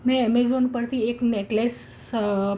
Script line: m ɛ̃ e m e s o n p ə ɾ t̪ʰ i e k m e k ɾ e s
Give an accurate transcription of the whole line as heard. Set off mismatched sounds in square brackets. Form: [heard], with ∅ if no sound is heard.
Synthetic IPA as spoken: m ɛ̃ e m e [z] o n p ə ɾ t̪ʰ i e k [n] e k [l] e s